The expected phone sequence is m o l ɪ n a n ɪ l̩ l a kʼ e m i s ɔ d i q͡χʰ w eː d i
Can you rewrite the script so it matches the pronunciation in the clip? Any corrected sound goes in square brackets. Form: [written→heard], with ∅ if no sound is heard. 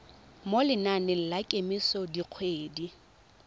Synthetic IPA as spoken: m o l ɪ n a n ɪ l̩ l a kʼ e m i s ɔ d i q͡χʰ w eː d i